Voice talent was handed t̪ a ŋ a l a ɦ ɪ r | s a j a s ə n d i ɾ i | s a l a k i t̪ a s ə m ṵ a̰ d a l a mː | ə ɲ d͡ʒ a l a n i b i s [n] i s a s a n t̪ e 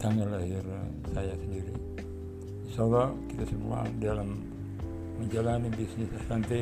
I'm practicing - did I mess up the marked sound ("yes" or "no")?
no